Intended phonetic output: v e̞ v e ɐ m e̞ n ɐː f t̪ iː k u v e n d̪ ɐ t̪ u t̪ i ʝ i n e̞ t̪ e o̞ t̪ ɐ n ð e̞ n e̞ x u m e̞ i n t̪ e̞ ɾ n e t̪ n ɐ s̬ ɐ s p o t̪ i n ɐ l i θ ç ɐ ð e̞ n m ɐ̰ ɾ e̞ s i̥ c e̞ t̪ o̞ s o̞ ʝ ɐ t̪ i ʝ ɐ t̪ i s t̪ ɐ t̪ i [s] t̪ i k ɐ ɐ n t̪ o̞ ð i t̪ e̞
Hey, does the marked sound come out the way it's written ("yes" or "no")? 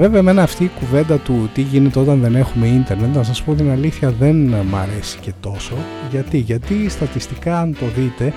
yes